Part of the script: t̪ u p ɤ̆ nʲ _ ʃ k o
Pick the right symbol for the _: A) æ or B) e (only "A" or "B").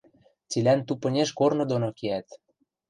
B